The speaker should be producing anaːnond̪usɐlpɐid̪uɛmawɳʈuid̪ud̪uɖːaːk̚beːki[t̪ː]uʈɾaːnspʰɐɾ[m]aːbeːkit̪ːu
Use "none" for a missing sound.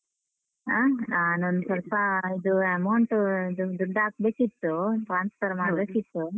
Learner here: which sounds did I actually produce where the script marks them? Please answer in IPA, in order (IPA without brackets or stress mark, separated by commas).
t̪ː, m